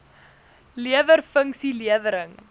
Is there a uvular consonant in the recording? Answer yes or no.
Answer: no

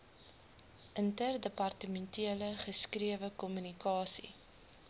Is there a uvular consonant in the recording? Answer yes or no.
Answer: yes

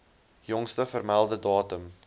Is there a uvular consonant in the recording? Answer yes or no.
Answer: no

